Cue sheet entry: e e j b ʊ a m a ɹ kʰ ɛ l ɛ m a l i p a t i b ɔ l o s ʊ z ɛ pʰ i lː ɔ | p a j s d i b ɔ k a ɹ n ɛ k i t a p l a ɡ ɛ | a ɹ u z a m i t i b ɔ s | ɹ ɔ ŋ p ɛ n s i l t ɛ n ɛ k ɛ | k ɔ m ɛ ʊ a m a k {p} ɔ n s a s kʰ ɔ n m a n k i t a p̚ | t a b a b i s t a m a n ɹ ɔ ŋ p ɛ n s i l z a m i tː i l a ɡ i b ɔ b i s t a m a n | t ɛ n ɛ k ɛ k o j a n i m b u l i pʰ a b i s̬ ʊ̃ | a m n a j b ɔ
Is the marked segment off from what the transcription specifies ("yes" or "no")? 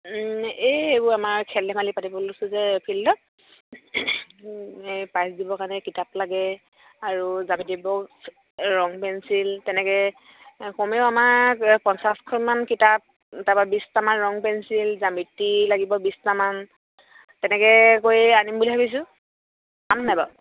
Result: no